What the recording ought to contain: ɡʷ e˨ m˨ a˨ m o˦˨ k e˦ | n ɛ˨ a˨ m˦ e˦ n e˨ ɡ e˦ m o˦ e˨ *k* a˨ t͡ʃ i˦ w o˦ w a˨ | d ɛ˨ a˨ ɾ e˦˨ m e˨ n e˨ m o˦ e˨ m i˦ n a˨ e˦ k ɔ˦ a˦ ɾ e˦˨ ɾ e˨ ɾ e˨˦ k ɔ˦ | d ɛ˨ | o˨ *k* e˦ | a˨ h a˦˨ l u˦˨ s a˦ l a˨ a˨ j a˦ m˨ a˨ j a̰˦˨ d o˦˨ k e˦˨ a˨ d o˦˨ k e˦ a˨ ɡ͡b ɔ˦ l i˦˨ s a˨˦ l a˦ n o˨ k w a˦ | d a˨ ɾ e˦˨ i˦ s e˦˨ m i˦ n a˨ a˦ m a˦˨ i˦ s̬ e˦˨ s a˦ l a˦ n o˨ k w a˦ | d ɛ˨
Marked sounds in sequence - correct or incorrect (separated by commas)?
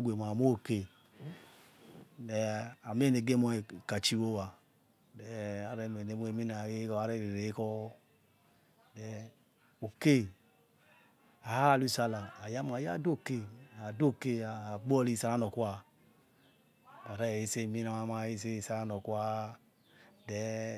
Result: correct, correct